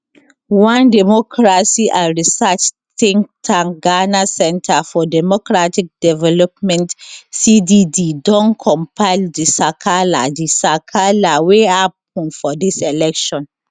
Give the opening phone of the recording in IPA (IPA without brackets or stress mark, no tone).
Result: w